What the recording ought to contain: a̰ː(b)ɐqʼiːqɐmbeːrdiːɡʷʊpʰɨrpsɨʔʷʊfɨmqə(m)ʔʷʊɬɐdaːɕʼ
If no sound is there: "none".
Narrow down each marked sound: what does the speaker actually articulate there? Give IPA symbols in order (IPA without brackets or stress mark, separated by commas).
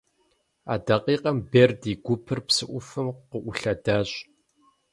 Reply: d, none